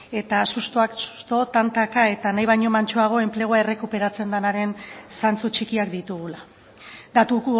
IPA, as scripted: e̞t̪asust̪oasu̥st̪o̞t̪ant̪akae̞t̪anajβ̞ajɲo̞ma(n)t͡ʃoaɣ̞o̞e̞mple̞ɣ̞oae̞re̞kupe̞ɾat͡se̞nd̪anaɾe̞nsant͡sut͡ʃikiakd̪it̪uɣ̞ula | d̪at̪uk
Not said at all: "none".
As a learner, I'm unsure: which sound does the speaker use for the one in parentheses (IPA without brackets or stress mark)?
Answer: n